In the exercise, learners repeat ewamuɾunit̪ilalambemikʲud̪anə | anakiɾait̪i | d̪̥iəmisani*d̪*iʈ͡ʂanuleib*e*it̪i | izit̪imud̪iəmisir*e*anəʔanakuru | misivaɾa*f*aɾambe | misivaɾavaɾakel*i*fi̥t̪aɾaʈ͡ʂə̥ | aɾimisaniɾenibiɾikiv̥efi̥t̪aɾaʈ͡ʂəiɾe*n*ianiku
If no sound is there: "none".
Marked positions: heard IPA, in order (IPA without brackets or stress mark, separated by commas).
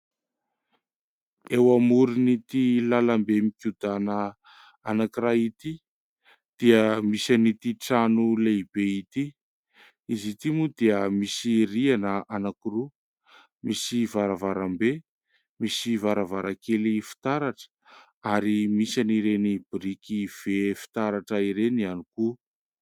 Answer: t̪, e, i, v, i, n